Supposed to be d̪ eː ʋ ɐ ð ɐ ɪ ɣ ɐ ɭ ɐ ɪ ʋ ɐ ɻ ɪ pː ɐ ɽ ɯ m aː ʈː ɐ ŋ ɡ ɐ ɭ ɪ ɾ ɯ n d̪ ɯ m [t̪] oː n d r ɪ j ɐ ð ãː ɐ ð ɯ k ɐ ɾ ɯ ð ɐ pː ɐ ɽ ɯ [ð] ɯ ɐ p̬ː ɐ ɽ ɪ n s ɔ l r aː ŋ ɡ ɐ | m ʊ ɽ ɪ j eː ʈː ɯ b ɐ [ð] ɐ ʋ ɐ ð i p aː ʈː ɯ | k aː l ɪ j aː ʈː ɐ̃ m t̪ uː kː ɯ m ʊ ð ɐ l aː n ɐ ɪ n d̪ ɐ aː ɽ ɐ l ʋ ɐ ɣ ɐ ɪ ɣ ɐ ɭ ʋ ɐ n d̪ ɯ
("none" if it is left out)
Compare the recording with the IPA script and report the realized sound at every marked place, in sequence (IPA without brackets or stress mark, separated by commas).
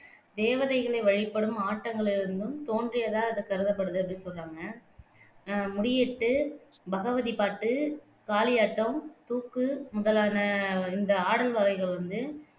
t̪, ð, ɣ